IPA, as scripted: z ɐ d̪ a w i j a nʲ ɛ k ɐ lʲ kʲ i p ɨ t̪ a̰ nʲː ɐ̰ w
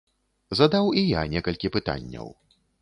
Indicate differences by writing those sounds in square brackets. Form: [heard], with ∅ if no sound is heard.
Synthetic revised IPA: z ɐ d̪ a w i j a nʲ ɛ k ɐ lʲ kʲ i p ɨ t̪ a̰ nʲː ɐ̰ w